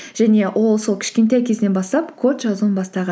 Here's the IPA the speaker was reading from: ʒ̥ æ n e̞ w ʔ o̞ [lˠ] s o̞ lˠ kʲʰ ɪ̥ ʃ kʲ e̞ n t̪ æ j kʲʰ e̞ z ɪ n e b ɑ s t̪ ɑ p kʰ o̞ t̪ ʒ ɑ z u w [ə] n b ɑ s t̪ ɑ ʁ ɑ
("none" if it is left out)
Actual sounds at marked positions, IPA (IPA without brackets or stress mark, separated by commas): lˠ, ə